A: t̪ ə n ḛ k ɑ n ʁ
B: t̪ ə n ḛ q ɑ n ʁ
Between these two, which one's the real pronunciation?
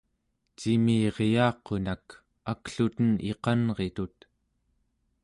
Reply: B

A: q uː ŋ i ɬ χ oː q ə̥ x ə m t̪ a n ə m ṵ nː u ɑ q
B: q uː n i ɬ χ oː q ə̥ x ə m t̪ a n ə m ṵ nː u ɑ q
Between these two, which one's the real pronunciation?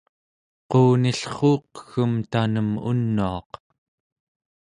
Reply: B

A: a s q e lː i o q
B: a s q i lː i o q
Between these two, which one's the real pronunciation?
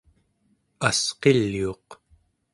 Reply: A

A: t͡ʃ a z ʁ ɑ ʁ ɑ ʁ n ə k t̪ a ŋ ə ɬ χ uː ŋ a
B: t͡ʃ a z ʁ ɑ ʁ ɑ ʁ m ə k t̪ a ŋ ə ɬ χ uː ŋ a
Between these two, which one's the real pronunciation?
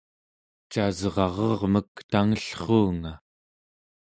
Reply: B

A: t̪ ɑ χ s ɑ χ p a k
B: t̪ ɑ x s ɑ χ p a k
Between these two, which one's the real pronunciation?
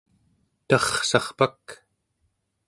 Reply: A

